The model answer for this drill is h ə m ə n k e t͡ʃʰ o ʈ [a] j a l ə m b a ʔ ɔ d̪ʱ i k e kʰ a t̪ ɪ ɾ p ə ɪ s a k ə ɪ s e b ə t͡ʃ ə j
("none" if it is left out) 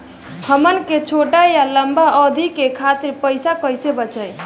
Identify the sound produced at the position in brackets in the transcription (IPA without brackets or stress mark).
a